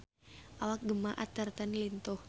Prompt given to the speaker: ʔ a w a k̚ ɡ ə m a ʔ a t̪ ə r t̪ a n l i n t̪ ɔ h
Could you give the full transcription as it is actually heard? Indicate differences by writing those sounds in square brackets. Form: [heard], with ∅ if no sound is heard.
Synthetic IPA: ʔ a w a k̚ ɡ ə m a ʔ a t̪ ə r t̪ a n l i n t̪ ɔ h